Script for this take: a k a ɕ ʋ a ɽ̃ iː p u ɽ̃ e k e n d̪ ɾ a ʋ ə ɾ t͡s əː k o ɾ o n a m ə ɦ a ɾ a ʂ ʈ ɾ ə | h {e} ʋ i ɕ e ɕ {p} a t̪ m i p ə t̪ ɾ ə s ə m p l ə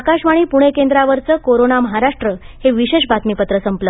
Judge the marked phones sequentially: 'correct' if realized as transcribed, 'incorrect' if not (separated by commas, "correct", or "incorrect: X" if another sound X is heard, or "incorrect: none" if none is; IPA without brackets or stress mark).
correct, incorrect: b